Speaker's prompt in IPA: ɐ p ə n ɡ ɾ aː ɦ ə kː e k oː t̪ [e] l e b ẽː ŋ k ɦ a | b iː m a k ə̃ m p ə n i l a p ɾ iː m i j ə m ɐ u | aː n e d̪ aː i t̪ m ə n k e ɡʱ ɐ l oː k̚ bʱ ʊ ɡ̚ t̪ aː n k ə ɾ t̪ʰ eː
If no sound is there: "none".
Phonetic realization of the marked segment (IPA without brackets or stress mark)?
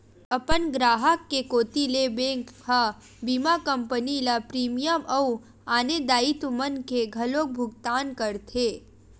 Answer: i